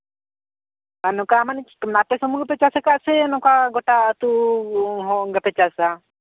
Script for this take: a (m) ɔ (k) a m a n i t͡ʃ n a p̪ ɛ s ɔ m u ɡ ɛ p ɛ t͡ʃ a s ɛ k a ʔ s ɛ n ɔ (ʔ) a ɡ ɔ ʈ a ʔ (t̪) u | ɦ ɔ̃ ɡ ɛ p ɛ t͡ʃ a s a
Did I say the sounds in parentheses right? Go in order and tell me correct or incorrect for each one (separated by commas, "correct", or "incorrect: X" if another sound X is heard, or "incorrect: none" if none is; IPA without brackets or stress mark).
incorrect: n, correct, incorrect: k, correct